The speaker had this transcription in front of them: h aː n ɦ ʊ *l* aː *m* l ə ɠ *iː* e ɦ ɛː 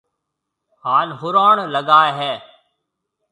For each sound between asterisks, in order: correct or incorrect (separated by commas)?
incorrect, incorrect, incorrect